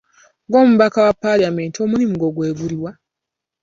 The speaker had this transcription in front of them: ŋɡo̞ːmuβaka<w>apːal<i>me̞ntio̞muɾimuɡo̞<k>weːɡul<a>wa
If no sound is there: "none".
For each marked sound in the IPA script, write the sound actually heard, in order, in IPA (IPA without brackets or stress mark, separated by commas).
w, a, ɡ, i